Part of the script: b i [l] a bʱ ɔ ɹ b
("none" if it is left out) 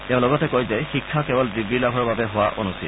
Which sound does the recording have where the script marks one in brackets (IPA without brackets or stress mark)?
l